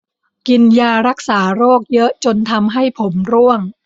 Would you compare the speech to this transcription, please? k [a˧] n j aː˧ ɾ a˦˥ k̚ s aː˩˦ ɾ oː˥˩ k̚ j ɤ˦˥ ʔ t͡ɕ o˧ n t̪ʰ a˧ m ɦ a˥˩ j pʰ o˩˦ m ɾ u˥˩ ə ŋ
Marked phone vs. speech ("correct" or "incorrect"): incorrect